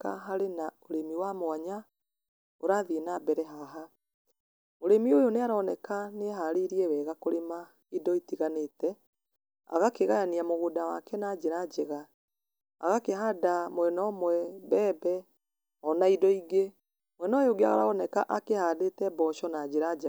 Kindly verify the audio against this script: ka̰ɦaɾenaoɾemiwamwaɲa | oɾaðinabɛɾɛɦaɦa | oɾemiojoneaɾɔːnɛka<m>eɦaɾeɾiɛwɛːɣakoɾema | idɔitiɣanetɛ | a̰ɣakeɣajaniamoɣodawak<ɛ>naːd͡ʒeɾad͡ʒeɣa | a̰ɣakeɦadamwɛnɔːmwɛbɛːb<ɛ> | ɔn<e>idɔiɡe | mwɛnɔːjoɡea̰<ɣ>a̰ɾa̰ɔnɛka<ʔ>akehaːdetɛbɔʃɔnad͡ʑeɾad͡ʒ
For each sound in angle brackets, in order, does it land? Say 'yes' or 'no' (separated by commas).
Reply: no, yes, yes, no, yes, yes